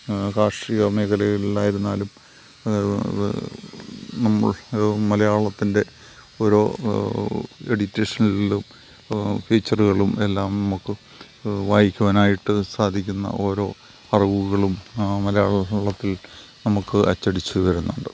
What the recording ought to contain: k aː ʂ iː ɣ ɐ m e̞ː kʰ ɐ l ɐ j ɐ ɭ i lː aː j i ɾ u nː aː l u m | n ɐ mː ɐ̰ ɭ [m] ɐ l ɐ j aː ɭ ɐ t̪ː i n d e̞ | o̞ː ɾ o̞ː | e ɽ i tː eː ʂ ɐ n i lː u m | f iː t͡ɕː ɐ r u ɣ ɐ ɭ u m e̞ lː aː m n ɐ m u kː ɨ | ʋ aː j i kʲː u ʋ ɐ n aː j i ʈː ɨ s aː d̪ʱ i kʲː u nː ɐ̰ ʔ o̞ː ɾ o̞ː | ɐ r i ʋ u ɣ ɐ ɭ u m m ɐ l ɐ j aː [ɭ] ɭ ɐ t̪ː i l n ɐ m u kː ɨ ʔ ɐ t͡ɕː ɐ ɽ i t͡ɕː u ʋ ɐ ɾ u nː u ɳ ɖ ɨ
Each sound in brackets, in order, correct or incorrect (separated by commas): correct, correct